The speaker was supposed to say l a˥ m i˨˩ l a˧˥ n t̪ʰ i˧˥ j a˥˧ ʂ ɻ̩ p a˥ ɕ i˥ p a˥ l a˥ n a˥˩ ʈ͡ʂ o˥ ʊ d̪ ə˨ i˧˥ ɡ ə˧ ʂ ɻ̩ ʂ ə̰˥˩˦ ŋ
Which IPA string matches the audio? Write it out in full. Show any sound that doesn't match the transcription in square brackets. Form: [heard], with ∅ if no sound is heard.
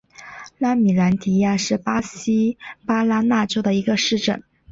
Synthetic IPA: l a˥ m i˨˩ l a˧˥ n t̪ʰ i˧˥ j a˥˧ ʂ ɻ̩ p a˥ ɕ i˥ p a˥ l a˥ n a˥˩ ʈ͡ʂ o˥ ʊ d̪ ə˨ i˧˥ ɡ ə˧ ʂ ɻ̩ [ʈ͡ʂ] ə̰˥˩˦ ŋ